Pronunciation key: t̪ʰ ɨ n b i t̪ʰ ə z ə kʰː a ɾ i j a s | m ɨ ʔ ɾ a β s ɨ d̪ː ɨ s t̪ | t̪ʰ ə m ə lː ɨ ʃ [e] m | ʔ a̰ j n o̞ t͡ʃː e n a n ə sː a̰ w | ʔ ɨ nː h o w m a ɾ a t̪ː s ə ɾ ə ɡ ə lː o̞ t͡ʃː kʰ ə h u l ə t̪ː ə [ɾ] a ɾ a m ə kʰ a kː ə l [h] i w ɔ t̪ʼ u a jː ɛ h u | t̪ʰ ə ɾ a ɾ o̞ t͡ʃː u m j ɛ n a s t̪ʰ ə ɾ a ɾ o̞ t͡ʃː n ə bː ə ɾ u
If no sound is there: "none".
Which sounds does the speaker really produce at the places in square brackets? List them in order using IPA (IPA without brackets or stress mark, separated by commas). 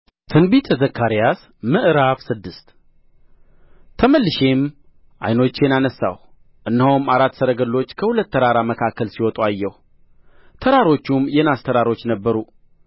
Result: e, ɾ, s